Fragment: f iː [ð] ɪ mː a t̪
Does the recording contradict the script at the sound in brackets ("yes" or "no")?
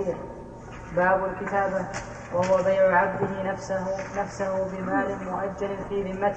no